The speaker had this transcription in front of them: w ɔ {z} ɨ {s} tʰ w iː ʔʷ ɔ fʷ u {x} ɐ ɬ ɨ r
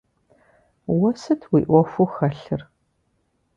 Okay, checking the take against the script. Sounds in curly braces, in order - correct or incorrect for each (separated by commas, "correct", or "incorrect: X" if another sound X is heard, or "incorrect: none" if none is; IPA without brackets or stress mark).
incorrect: s, incorrect: none, correct